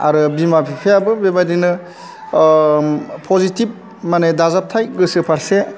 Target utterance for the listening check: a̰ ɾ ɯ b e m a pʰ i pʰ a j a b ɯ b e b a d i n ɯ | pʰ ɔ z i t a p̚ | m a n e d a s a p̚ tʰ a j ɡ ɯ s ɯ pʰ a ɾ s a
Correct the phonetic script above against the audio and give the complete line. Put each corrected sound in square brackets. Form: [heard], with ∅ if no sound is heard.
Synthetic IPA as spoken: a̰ ɾ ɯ b [i] m a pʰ i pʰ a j a b ɯ b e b a d i n ɯ | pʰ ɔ z i t [i] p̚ | m a n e d a [z] a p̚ tʰ a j ɡ ɯ s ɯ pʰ a ɾ s [e]